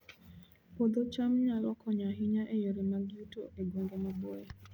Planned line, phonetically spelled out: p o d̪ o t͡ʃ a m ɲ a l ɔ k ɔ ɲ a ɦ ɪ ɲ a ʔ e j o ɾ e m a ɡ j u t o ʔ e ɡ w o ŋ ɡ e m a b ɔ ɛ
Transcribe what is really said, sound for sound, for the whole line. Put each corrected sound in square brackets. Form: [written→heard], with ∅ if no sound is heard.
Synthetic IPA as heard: p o d̪ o t͡ʃ a m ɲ a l ɔ k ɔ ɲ a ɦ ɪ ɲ a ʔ e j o ɾ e m a ɡ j u t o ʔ e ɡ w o ŋ ɡ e m a b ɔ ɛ